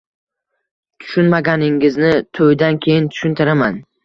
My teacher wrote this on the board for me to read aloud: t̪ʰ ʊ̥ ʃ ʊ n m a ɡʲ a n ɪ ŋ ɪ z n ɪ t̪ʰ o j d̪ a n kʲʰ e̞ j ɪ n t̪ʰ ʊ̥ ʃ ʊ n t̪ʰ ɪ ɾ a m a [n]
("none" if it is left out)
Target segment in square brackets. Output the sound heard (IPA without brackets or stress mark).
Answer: n